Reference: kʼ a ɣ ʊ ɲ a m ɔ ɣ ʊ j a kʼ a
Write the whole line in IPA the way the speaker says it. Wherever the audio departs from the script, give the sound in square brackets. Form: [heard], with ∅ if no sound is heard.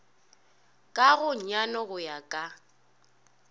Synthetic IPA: kʼ a ɣ ʊ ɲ a [n] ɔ ɣ ʊ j a kʼ a